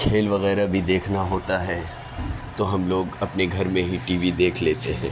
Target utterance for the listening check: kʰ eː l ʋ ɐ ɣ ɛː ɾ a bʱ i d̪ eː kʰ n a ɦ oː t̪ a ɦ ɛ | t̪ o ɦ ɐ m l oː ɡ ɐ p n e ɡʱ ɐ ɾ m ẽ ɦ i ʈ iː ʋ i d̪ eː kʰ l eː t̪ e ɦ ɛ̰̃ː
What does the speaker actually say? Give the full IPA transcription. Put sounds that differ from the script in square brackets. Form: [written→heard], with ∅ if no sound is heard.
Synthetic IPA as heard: kʰ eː l ʋ ɐ ɣ ɛː ɾ a bʱ i d̪ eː kʰ n a ɦ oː t̪ a ɦ ɛ | t̪ o ɦ ɐ m l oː ɡ ɐ p n e ɡʱ ɐ ɾ m ẽ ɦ i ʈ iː ʋ i d̪ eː kʰ l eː t̪ e ɦ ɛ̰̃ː